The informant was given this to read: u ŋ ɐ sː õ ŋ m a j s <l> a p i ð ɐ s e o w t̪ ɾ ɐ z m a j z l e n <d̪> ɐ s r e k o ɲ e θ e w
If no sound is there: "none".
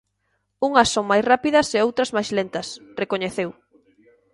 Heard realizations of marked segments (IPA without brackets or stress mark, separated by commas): r, t̪